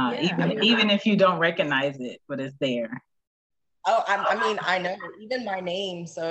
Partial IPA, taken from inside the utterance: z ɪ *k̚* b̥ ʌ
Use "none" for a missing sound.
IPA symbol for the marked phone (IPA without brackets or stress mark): t̚